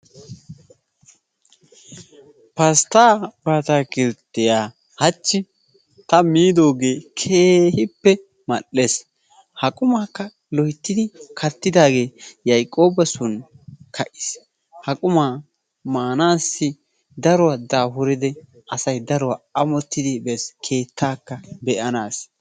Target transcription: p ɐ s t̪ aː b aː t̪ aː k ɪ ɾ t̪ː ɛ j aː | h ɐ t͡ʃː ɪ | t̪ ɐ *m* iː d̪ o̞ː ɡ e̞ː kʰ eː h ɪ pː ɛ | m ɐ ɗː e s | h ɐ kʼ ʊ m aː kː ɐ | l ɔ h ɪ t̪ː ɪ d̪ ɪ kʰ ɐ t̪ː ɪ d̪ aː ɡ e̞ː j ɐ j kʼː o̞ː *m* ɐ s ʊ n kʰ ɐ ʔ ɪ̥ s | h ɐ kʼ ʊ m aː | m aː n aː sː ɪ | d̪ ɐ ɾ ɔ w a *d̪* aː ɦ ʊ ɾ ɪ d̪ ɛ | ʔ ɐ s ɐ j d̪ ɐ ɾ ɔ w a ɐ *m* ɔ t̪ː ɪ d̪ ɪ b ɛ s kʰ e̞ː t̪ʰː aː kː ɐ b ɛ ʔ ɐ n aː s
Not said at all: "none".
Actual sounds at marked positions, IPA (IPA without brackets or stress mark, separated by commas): m, b, d̪, m